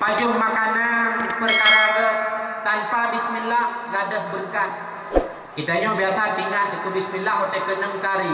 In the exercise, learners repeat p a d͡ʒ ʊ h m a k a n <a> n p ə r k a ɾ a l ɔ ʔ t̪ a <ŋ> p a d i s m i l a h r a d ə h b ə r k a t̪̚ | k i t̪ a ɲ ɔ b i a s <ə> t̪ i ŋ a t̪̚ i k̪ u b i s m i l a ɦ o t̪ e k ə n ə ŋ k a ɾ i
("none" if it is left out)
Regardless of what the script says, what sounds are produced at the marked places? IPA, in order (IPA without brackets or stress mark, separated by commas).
a, n, a